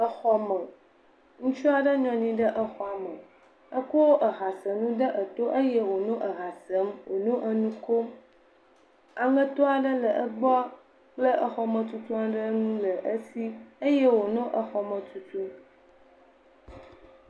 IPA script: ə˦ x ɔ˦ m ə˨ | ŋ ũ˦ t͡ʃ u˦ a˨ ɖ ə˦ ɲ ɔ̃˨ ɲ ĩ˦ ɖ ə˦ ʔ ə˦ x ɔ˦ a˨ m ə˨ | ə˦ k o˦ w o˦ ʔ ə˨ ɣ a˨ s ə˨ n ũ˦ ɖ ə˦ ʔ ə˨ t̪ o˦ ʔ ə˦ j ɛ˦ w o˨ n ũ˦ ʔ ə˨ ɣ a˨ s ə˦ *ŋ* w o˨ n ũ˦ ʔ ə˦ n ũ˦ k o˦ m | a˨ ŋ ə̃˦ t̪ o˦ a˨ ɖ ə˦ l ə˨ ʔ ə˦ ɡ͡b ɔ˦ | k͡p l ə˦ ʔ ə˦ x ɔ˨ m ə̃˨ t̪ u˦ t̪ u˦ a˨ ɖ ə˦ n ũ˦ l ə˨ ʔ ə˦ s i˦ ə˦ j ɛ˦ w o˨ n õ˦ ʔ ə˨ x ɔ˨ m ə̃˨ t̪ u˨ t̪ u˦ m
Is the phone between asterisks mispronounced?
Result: yes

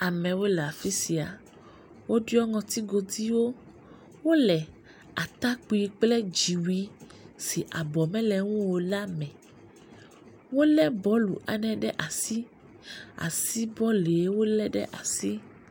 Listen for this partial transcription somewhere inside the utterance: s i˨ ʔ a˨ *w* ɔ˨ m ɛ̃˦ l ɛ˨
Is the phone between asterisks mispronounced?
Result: yes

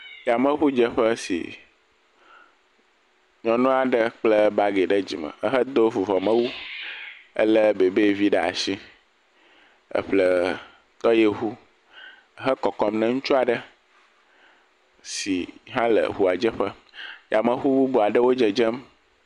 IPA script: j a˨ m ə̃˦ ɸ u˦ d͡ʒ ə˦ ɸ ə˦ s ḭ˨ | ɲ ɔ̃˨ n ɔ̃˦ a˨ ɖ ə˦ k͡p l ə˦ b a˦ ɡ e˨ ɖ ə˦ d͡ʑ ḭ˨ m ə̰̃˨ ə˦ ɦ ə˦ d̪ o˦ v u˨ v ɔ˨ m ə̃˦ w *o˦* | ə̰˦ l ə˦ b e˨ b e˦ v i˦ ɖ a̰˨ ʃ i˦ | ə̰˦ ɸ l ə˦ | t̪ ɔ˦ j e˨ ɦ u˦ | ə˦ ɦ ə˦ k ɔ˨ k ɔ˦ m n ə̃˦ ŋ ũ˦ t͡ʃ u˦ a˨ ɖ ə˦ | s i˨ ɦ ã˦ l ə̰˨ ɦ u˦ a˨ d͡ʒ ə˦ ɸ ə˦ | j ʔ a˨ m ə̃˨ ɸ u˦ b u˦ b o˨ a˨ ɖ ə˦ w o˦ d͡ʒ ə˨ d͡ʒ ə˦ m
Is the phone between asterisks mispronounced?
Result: yes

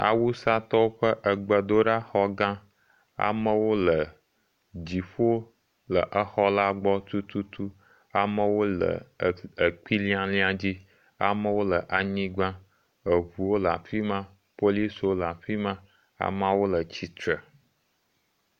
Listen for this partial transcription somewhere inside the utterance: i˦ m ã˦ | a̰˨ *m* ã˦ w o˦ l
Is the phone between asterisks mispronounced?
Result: no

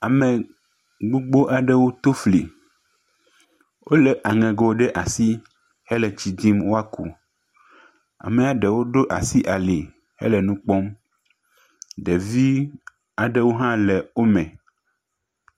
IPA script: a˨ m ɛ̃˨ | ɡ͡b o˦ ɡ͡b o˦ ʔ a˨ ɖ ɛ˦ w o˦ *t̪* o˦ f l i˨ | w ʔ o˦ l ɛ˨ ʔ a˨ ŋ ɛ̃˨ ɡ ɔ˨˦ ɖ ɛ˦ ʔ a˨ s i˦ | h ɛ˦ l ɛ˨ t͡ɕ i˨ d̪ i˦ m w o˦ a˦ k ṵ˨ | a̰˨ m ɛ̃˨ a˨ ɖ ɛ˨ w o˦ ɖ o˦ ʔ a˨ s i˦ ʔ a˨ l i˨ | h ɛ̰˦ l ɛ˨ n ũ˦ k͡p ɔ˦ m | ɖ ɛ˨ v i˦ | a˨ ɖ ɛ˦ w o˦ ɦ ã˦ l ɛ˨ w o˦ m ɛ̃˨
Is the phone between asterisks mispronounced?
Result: no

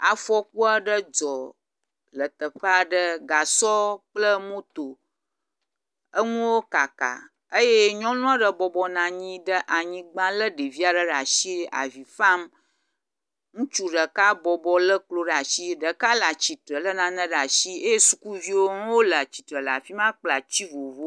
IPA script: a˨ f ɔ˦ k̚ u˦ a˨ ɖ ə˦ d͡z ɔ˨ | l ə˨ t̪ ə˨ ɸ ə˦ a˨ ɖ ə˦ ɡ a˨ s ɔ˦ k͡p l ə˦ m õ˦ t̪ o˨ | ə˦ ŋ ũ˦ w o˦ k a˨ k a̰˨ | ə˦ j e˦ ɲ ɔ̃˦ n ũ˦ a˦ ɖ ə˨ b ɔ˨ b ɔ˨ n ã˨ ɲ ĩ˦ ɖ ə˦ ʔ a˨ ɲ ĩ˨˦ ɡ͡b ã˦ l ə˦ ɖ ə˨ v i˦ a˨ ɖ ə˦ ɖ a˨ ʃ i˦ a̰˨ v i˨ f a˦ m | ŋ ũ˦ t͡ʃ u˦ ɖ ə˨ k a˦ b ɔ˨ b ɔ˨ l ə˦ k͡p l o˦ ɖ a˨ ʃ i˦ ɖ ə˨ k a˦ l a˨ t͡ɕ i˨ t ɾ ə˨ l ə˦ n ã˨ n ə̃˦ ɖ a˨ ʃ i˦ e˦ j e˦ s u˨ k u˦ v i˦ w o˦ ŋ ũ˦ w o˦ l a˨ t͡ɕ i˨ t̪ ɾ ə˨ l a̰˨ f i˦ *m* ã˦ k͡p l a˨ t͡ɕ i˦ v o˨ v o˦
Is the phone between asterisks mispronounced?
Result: no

